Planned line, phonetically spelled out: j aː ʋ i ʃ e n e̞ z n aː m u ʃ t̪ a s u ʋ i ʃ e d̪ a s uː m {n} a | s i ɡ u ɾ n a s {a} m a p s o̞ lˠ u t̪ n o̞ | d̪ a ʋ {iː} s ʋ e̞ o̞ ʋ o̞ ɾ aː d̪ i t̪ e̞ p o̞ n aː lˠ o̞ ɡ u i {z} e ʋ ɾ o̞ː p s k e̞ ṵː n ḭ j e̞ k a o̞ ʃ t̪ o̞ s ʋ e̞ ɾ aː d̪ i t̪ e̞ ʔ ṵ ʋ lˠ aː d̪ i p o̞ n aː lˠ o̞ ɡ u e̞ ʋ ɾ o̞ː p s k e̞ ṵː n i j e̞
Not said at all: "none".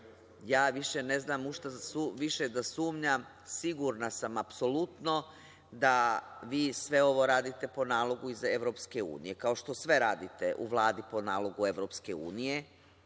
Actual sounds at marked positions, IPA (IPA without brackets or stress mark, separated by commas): ɲ, a, iː, z